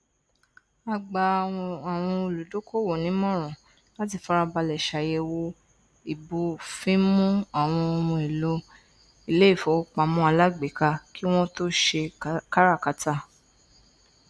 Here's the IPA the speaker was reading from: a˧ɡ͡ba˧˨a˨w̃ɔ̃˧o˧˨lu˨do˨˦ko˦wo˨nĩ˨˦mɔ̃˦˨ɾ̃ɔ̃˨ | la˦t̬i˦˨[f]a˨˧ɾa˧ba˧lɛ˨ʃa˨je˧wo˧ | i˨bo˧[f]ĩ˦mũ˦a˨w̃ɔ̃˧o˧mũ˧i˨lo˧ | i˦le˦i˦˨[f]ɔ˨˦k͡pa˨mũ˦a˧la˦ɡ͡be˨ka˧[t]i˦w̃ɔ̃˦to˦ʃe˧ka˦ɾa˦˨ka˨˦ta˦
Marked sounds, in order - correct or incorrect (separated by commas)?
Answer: correct, correct, correct, incorrect